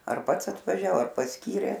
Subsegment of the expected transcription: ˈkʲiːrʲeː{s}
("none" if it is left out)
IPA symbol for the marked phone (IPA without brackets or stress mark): none